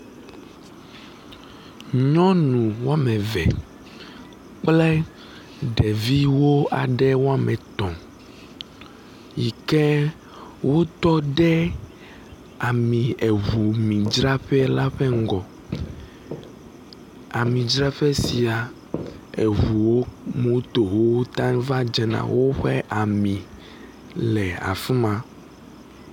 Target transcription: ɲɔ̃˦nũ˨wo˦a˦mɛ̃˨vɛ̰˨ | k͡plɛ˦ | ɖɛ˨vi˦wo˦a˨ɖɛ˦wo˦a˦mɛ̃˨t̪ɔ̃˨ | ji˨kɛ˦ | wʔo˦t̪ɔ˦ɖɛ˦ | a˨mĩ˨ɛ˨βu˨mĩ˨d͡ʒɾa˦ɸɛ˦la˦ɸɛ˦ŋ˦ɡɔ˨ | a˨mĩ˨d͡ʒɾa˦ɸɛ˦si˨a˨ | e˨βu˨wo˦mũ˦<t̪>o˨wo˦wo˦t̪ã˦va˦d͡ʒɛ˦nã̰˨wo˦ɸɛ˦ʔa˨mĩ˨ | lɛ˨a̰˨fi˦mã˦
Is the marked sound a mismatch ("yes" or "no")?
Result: no